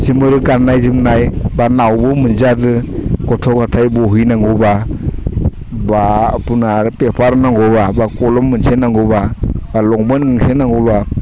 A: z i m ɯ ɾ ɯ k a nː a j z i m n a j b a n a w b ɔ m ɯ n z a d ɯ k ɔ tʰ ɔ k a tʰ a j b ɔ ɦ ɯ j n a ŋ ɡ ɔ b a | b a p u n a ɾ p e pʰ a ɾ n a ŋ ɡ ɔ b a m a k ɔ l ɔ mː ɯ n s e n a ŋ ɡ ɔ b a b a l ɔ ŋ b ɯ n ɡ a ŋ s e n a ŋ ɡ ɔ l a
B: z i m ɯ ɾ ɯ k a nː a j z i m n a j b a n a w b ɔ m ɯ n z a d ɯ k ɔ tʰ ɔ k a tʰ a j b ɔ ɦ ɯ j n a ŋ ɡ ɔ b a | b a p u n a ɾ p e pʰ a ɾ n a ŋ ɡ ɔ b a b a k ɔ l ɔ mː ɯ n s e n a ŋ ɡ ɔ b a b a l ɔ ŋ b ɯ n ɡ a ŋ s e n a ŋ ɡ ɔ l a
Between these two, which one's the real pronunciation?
B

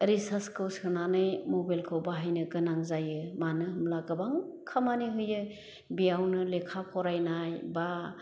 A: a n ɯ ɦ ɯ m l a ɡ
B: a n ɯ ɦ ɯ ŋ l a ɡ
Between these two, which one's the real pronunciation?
A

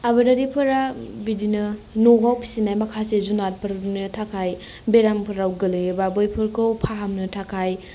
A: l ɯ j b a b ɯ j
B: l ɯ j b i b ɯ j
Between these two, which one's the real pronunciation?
A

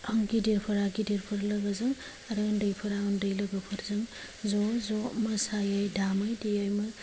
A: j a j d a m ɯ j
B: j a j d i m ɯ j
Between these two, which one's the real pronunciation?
A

